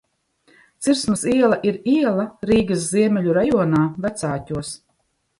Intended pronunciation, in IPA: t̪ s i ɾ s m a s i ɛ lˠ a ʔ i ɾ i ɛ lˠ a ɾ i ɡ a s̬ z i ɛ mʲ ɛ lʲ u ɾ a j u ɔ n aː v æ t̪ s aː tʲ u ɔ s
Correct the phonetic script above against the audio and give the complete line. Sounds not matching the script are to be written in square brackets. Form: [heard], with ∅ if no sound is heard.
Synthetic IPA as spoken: t̪ s i ɾ s m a s i ɛ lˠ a ʔ i ɾ i ɛ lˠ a ɾ [iː] ɡ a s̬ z i ɛ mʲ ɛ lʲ u ɾ a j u ɔ n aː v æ t̪ s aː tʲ u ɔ s